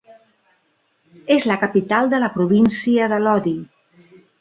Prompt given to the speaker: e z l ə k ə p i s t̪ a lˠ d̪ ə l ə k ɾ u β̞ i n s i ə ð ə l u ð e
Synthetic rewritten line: e z l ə k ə p i t̪ a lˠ d̪ ə l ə p ɾ u β̞ i n s i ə ð ə l ɔ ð i